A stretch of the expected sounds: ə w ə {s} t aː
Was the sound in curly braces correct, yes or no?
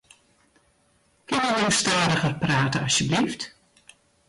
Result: yes